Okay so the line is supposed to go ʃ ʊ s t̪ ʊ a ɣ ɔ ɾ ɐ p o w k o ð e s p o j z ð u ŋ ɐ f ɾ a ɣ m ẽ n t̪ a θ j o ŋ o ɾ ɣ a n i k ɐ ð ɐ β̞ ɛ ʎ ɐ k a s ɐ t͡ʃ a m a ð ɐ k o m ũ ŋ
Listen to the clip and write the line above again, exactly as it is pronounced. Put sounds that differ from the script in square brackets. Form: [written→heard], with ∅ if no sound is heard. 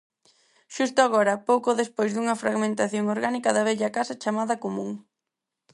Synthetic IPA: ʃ [ʊ→u] s t̪ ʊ a ɣ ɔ ɾ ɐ p o w k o ð e s p o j z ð u ŋ ɐ f ɾ a ɣ m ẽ n t̪ a θ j o ŋ o ɾ ɣ a n i k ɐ ð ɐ β̞ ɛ ʎ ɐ k a s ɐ t͡ʃ a m a ð ɐ k o m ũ ŋ

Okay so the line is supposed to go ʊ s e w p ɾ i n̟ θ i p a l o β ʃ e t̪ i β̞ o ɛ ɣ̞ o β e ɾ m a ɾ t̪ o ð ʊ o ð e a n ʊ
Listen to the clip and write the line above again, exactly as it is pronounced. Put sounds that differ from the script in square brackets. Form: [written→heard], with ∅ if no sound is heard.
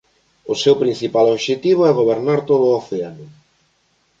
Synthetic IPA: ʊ s e w p ɾ i n̟ θ i p a l o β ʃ e t̪ i β̞ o ɛ ɣ̞ o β e ɾ [m→n] a ɾ t̪ o ð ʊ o [ð→θ] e a n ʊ

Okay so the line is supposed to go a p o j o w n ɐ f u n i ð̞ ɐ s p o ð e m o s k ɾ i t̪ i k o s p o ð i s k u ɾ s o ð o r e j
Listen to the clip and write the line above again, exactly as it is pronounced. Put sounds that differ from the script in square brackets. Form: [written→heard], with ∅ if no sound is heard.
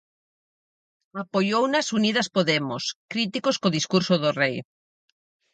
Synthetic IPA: a p o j o w n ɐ [f→s] u n i ð̞ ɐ s p o ð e m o s k ɾ i t̪ i k o s [p→k] o ð i s k u ɾ s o ð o r e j

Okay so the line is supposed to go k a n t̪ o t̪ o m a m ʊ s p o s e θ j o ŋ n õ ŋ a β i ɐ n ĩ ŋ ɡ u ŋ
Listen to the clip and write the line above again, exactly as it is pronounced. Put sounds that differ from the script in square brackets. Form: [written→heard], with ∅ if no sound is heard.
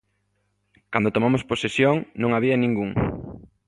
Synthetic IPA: k a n [t̪→d̪] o t̪ o m a m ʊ s p o s e [θ→s] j o ŋ n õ ŋ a β i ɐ n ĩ ŋ ɡ u ŋ

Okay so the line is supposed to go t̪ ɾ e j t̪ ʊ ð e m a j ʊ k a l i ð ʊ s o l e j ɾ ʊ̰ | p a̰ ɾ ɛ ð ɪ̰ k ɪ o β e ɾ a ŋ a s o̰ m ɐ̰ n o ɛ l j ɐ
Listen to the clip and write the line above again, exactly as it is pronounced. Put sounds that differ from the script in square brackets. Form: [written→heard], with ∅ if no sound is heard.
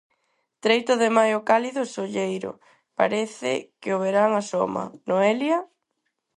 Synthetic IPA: t̪ ɾ e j t̪ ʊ ð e m a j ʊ k a l i ð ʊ s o [l→ʎ] e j ɾ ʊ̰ | p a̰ ɾ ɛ [ð→θ] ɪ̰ k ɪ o β e ɾ a ŋ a s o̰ m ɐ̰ n o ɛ l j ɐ

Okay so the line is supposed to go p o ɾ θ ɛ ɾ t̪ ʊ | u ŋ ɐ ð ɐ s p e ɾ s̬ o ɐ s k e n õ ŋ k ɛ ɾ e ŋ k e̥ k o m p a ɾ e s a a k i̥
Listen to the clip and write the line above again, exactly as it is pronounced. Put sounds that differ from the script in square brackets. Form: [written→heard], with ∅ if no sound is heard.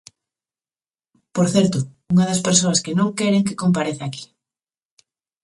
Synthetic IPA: p o ɾ θ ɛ ɾ t̪ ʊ | u ŋ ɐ ð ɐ s p e ɾ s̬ o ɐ s k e n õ ŋ k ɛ ɾ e ŋ k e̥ k o m p a ɾ e [s→θ] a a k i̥

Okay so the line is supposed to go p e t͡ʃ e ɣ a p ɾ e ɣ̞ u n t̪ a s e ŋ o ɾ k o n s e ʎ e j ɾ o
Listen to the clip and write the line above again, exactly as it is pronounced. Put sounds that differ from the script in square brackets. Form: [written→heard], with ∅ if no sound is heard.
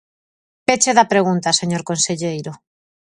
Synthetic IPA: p e t͡ʃ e [ɣ→ð] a p ɾ e ɣ̞ u n t̪ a s e [ŋ→ɲ] o ɾ k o n s e ʎ e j ɾ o

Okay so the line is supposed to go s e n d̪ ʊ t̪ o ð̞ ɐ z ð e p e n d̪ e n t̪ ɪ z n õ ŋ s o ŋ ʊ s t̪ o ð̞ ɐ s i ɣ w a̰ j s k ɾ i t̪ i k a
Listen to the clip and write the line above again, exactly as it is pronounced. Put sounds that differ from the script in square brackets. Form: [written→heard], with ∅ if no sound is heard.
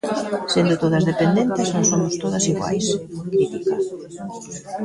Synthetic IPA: s e n d̪ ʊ t̪ o ð̞ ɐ z ð e p e n d̪ e n t̪ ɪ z n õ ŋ s o [ŋ→m] ʊ s t̪ o ð̞ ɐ s i ɣ w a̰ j s k ɾ i t̪ i k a

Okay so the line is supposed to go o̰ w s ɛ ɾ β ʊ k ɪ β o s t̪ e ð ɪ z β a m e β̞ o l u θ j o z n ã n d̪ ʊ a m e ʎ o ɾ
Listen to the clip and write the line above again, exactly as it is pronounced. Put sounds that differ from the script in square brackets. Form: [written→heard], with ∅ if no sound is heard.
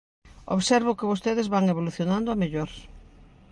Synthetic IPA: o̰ [w→β] s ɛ ɾ β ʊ k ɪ β o s t̪ e ð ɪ z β a [m→ŋ] e β̞ o l u θ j o [z→∅] n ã n d̪ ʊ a m e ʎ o ɾ

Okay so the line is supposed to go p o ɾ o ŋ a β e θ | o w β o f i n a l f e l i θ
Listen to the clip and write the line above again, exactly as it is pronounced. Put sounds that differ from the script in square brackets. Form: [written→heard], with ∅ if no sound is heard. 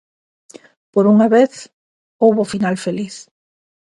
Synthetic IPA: p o ɾ [o→u] ŋ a β e θ | o w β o f i n a l f e l i θ

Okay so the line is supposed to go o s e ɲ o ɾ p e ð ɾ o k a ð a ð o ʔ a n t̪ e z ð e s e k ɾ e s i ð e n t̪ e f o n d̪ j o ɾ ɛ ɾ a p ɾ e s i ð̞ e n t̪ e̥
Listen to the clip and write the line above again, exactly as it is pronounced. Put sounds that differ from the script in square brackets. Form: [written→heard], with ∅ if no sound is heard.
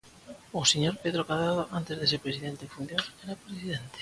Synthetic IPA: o s e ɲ o ɾ p e ð ɾ o k a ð a ð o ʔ a n t̪ e z ð e s e [k→p] ɾ e s i ð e n t̪ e f [o→u] n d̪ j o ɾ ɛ ɾ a p ɾ e s i ð̞ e n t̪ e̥

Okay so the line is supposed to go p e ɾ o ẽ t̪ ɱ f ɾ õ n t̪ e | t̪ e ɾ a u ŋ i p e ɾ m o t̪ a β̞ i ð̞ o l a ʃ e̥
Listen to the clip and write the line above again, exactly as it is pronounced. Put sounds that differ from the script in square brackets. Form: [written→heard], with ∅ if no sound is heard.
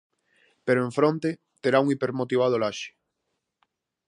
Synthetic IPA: p e ɾ o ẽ [t̪→∅] ɱ f ɾ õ n t̪ e | t̪ e ɾ a u ŋ i p e ɾ m o t̪ [a→i] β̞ [i→a] ð̞ o l a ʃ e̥

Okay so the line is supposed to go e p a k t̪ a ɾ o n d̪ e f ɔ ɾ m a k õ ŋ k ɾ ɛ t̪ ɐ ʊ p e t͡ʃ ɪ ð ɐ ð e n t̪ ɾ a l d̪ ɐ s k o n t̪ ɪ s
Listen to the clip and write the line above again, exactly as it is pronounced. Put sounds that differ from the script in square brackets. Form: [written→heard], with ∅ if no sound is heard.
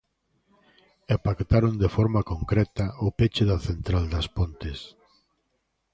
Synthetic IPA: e p a k t̪ a ɾ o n d̪ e f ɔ ɾ m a k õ ŋ k ɾ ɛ t̪ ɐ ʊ p e t͡ʃ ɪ ð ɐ [ð→θ] e n t̪ ɾ a l d̪ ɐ s [k→p] o n t̪ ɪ s

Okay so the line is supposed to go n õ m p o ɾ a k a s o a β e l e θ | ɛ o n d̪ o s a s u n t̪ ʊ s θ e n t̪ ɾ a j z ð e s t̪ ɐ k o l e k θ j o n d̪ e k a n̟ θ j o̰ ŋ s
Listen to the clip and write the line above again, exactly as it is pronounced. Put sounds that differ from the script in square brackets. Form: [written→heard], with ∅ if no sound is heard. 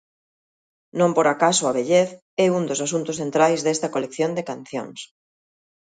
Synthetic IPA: n õ m p o ɾ a k a s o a β e [l→ʎ] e θ | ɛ [o→u] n d̪ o s a s u n t̪ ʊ s θ e n t̪ ɾ a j z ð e s t̪ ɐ k o l e k θ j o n d̪ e k a n̟ θ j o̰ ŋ s

